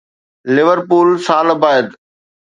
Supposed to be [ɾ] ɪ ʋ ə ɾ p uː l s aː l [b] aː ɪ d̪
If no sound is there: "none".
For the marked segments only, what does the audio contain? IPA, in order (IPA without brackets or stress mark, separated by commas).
l, b